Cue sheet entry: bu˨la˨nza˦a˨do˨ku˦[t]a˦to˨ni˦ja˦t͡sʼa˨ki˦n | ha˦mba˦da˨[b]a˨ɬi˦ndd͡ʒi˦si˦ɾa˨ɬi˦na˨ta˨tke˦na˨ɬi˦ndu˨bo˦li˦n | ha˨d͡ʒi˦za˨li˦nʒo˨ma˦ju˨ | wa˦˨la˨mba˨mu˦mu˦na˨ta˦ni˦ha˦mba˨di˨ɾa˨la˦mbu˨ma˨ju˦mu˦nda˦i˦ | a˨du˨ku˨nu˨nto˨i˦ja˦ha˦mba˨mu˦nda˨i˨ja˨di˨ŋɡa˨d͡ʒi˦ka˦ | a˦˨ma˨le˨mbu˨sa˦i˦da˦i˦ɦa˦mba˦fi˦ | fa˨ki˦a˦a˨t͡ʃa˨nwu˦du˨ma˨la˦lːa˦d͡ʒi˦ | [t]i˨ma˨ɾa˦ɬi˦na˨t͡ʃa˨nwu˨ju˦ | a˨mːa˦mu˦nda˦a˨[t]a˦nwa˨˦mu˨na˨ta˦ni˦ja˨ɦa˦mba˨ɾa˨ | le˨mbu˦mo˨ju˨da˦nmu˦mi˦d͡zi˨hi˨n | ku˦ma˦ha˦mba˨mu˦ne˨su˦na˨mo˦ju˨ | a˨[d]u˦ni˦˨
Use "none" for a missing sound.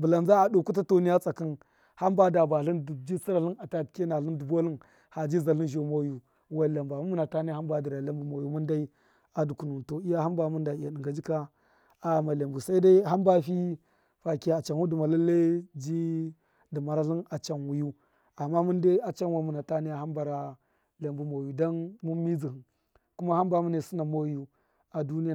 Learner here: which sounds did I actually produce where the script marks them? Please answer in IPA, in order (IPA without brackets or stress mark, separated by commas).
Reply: t, b, d, t͡ʃ, d